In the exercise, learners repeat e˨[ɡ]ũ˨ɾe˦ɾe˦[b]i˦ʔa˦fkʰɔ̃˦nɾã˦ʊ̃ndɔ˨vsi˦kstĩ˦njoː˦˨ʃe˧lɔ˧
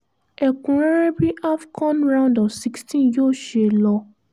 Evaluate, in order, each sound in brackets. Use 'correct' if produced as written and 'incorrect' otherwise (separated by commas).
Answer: incorrect, correct